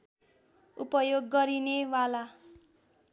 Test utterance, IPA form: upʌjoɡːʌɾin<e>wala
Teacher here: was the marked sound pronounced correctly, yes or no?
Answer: yes